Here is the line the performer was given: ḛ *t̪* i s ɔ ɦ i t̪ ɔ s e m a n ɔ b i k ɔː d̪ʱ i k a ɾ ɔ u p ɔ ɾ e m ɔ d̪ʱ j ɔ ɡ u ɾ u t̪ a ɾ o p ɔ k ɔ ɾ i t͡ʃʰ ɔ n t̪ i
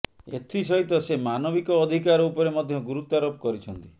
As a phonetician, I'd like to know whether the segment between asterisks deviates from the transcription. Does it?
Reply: yes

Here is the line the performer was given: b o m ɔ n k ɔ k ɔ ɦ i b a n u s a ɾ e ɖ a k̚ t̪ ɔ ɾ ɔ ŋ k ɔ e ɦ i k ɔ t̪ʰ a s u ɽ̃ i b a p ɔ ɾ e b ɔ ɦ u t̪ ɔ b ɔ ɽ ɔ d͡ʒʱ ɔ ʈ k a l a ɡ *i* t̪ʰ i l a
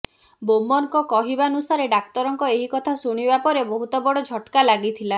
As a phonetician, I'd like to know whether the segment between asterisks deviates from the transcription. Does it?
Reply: no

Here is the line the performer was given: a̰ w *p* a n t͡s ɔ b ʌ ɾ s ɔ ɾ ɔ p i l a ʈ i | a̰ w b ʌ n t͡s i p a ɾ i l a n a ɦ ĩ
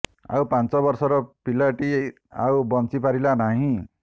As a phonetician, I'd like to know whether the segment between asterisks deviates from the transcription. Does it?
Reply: no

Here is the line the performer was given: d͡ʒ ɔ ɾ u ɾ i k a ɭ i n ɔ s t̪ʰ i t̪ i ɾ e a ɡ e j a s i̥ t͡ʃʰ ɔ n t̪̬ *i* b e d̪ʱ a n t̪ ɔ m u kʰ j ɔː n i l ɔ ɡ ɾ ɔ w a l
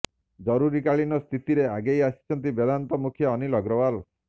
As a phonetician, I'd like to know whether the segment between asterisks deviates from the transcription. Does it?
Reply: no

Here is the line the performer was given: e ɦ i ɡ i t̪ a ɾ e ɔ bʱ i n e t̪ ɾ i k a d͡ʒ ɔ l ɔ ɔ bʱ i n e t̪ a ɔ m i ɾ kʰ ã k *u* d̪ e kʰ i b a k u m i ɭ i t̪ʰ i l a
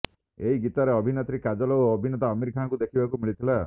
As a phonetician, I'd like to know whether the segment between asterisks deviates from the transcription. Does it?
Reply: no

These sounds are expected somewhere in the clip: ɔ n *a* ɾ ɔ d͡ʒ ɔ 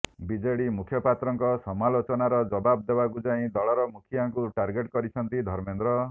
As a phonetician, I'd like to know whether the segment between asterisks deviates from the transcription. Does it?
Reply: no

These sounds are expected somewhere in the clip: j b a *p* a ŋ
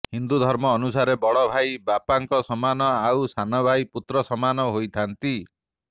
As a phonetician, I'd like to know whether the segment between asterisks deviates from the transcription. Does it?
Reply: no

